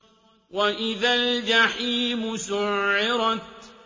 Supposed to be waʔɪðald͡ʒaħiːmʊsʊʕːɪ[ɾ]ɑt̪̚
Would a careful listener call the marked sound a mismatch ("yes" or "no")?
no